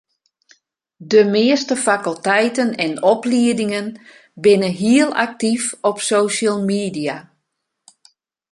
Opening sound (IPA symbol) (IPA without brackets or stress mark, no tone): d